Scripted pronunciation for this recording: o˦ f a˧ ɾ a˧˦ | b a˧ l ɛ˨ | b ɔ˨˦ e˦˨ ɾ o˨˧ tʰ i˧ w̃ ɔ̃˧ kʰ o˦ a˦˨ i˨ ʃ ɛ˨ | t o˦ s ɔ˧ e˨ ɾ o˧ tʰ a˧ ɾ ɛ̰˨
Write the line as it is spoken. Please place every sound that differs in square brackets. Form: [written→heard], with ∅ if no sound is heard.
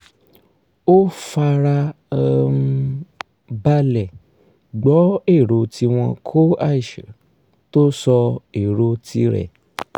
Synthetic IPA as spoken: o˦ f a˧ ɾ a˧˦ | b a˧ l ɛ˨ | [b→ɡ͡b] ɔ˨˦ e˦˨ ɾ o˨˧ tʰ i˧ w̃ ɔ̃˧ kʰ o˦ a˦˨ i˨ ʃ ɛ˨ | t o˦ s ɔ˧ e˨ ɾ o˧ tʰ [a˧→i˧] ɾ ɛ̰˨

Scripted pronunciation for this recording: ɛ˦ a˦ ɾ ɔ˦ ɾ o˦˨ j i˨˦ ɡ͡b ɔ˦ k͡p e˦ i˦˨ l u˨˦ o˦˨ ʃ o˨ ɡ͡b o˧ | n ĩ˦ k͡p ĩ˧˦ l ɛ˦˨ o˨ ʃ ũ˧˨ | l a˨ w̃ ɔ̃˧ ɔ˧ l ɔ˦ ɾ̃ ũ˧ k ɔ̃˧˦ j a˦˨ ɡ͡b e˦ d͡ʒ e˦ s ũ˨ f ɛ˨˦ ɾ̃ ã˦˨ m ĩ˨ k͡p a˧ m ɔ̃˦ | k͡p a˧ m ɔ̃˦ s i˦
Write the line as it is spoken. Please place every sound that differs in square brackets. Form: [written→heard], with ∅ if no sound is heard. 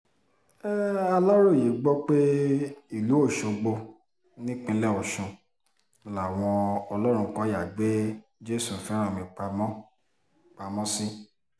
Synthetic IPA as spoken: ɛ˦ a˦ [ɾ→l] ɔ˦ ɾ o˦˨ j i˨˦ ɡ͡b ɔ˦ k͡p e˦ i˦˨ l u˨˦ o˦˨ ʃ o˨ ɡ͡b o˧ | n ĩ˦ k͡p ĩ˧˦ l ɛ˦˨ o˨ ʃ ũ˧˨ | l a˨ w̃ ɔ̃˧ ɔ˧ l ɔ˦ ɾ̃ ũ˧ k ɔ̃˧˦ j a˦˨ ɡ͡b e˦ d͡ʒ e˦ s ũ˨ f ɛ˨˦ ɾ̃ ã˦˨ m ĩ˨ k͡p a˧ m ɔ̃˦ | k͡p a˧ m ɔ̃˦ s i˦

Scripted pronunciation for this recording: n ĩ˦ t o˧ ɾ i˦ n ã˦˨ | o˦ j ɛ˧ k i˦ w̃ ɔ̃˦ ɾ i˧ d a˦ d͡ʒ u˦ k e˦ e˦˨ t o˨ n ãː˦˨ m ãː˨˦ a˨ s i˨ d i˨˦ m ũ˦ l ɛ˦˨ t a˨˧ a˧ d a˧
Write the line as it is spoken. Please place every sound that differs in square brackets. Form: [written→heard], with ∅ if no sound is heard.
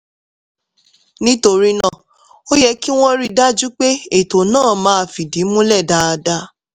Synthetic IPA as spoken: n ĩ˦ t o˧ ɾ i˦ n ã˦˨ | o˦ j ɛ˧ k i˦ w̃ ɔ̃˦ ɾ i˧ d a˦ d͡ʒ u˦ [k→k͡p] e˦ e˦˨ t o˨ n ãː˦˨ m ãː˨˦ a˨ [s→f] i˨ d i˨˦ m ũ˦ l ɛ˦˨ [t→d] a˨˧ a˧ d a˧

